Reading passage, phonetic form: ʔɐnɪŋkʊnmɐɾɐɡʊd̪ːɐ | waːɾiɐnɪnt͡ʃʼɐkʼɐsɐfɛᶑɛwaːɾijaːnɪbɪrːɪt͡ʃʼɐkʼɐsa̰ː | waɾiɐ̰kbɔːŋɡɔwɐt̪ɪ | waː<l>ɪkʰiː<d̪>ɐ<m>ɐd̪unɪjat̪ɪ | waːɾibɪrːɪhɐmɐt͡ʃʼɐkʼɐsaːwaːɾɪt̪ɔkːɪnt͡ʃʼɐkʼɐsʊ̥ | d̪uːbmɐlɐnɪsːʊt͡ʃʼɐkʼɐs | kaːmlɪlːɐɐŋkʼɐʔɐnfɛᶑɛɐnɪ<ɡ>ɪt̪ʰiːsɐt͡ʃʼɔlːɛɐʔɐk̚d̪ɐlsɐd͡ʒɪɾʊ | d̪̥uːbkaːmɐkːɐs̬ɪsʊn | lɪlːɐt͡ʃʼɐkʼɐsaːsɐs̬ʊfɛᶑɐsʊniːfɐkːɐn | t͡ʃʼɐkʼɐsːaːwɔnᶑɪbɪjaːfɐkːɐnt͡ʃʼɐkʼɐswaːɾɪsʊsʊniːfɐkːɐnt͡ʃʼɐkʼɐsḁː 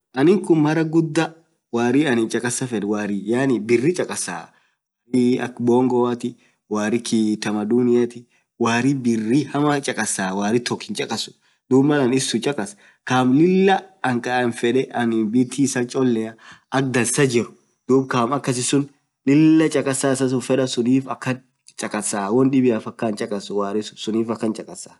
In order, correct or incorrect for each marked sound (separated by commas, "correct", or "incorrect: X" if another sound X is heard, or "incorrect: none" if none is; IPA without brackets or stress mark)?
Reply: incorrect: ɾ, incorrect: t̪, correct, incorrect: b